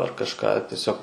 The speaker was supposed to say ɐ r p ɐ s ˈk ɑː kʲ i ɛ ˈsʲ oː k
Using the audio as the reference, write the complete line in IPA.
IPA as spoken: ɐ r k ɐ ʃ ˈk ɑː tʲ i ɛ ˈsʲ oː k